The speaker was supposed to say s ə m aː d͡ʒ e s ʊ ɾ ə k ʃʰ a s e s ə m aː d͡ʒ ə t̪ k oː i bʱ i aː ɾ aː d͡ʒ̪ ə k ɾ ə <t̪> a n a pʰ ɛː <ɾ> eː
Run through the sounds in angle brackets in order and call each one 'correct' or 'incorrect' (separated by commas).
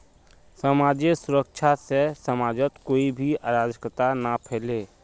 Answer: correct, incorrect